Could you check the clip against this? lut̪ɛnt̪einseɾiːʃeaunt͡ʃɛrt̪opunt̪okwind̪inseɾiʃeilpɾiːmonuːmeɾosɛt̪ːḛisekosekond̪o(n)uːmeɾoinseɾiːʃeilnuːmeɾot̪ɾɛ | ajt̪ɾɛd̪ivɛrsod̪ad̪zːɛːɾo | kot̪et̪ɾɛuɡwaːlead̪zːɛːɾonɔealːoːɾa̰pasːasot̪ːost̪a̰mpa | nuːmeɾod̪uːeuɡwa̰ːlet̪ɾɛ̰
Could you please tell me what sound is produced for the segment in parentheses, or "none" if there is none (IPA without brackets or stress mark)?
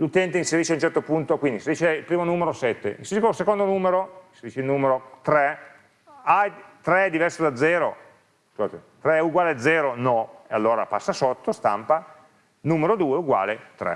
n